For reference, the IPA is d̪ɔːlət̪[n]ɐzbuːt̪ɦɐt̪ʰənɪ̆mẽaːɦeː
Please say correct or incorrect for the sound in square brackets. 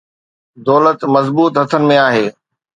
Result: incorrect